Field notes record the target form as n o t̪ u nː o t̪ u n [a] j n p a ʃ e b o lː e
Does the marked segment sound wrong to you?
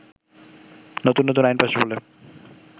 no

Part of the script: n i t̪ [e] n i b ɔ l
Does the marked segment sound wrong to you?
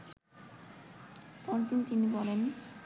yes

